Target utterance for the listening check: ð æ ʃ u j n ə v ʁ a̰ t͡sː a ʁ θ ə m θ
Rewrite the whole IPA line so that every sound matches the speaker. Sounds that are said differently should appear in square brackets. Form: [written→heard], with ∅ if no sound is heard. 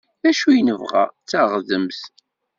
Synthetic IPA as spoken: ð æ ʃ u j n ə v ʁ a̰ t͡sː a ʁ [θ→ð] ə m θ